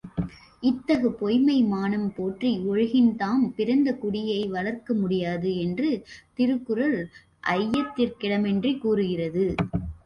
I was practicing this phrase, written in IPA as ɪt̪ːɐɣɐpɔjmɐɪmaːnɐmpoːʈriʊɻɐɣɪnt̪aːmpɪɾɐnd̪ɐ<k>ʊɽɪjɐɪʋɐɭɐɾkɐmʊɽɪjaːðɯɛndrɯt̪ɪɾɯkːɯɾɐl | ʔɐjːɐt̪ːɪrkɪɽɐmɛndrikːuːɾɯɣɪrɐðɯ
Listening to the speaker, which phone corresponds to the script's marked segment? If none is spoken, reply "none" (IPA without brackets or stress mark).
k